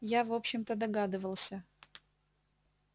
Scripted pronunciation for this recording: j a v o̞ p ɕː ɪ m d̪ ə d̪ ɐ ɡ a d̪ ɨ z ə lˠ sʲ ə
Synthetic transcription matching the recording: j a v o̞ p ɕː ɪ m t̪ ə d̪ ɐ ɡ a d̪ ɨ v ə lˠ sʲ ə